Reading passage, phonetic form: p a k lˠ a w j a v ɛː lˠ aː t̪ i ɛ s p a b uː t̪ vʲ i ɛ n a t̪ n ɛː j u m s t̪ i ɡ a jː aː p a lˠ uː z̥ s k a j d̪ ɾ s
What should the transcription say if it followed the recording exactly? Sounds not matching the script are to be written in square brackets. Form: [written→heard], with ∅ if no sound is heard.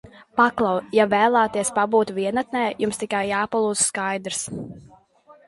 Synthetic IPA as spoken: p a k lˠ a w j a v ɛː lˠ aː t̪ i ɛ s p a b uː t̪ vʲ i ɛ n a t̪ n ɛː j u m s t̪ i [ɡ→k] a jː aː p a lˠ uː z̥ s k a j d̪ ɾ s

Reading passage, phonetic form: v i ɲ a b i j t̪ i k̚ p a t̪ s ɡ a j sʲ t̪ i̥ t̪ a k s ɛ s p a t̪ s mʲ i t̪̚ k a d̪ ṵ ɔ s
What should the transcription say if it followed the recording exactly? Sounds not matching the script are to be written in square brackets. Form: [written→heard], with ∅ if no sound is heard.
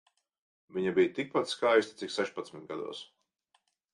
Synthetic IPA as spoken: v i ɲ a b i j t̪ i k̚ p a t̪ s [ɡ→k] a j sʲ t̪ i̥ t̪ [a→i] k s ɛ [s→ʃ] p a t̪ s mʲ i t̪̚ [k→ɡ] a d̪ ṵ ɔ s

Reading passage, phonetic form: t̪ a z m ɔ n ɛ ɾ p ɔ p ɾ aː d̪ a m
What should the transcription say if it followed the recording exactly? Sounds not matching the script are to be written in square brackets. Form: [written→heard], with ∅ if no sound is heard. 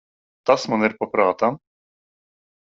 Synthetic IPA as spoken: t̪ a [z→s] m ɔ n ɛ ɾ p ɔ p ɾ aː [d̪→t̪] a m

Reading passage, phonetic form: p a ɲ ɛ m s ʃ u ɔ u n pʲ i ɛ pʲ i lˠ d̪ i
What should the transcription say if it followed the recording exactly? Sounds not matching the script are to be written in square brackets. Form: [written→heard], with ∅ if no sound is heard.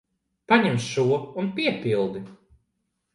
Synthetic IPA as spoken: p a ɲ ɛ m s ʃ u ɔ u n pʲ i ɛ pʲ i lˠ d̪ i

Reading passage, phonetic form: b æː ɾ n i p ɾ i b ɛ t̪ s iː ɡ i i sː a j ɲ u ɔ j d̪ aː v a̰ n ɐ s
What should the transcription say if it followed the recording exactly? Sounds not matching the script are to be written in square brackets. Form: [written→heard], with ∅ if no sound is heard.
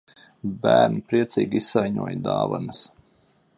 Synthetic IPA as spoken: b æː ɾ n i p ɾ i [b→∅] ɛ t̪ s iː ɡ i i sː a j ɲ u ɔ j d̪ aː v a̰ n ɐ s

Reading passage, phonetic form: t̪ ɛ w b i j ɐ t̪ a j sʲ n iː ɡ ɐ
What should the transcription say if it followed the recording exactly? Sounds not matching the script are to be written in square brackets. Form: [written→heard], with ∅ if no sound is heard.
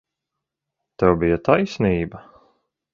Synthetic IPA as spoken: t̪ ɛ w b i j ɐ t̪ a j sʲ n iː [ɡ→b] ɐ

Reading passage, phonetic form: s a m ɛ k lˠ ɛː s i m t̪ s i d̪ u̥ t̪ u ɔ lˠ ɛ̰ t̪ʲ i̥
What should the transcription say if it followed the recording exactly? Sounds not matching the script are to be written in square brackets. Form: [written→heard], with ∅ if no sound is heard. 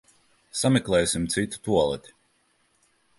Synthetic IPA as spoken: s a m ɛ k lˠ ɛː s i m t̪ s i [d̪→t̪] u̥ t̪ u ɔ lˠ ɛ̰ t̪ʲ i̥

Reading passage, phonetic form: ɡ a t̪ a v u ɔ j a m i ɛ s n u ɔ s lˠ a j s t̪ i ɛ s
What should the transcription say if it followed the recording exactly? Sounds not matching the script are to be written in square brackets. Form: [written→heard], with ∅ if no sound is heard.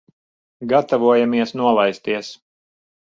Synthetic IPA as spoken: ɡ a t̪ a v u ɔ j a m i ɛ s n u ɔ [s→∅] lˠ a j s t̪ i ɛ s

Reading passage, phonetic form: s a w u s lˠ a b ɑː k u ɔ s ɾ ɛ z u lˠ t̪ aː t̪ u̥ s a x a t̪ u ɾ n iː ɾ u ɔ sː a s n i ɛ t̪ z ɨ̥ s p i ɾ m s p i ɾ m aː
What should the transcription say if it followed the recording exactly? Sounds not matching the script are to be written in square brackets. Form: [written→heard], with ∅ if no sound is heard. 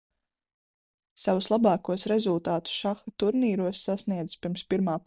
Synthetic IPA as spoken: s a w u s lˠ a b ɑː k u ɔ s ɾ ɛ z u lˠ t̪ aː t̪ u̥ [s→ʃ] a x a t̪ u ɾ n iː ɾ u ɔ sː a s n i ɛ [t̪→d̪] z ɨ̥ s p i ɾ m s p i ɾ m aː

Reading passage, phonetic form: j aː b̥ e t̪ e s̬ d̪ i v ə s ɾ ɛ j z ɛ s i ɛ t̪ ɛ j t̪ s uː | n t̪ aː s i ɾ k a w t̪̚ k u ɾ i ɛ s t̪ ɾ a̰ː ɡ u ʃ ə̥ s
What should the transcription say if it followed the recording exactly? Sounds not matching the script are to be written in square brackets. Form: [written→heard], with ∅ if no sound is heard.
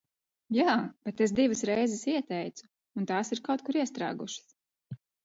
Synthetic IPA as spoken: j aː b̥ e t̪ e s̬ d̪ i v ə s ɾ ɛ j z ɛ s i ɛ t̪ ɛ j t̪ s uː | n t̪ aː s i ɾ k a w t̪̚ k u ɾ i ɛ s t̪ ɾ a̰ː ɡ u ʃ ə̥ s

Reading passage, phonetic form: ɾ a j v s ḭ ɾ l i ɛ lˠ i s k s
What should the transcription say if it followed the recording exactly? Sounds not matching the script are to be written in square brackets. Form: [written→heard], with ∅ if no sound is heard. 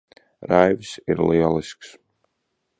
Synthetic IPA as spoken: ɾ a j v s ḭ ɾ l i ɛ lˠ i s k s

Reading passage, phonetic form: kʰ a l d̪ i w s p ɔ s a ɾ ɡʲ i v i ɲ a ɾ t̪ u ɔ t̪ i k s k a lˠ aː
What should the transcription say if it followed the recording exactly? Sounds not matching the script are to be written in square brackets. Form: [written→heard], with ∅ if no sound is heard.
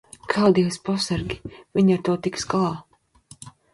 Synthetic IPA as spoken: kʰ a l d̪ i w s p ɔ s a ɾ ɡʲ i v i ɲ a ɾ t̪ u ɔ t̪ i k s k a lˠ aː

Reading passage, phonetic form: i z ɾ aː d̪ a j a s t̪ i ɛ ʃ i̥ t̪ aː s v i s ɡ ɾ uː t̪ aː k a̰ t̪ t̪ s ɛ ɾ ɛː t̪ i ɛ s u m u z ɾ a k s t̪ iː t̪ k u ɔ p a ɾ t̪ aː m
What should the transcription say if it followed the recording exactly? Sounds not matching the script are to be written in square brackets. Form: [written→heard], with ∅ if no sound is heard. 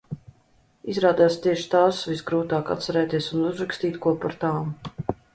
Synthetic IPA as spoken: i z ɾ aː d̪ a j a s t̪ i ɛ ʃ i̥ t̪ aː s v i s ɡ ɾ uː t̪ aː k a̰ t̪ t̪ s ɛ ɾ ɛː t̪ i ɛ s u [m→n] u z ɾ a k s t̪ iː t̪ k u ɔ p a ɾ t̪ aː m

